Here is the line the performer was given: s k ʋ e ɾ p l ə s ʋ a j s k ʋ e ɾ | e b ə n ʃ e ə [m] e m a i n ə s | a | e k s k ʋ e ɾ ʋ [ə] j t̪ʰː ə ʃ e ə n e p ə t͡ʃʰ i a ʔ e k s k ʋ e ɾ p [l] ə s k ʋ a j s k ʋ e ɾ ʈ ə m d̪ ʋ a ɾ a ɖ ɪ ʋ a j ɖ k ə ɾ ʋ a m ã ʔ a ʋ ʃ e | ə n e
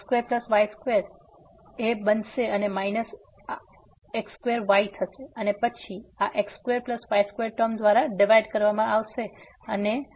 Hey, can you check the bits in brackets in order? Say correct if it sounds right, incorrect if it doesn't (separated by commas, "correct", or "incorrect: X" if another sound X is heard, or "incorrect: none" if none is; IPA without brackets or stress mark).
incorrect: n, incorrect: a, correct